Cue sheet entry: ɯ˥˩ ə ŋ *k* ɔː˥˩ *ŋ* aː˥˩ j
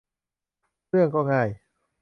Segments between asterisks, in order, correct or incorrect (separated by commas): correct, correct